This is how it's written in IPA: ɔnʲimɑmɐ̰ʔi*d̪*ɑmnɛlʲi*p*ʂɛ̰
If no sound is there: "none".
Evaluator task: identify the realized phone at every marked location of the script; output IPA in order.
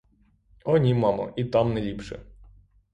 t̪, p

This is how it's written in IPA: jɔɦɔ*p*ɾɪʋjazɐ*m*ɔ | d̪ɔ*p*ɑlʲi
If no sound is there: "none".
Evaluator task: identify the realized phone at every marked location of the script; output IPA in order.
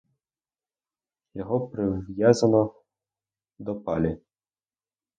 p, n, p

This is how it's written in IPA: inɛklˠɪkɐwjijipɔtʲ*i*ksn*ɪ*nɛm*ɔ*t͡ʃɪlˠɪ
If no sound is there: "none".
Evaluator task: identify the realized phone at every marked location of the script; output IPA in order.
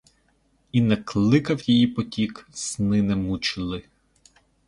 i, ɪ, u

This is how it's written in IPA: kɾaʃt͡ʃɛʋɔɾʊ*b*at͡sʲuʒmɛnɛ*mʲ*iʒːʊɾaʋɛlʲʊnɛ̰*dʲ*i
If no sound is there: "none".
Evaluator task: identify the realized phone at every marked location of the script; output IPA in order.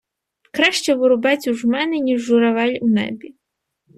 b, nʲ, bʲ

